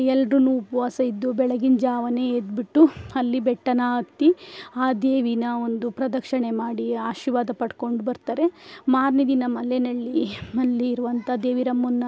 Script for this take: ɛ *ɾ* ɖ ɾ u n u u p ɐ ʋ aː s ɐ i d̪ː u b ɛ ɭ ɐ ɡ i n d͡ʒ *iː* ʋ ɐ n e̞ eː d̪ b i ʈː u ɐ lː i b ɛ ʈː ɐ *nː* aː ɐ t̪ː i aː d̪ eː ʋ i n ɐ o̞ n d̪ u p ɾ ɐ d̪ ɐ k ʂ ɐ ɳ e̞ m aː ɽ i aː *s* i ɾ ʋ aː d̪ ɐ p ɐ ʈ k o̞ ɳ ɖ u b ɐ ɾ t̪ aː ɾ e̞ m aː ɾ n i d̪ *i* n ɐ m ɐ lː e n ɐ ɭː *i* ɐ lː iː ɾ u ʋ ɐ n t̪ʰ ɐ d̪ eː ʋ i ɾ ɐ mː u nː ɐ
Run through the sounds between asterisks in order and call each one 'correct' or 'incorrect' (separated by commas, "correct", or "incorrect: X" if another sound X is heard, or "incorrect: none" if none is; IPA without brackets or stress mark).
incorrect: l, incorrect: aː, incorrect: n, incorrect: ʃ, correct, correct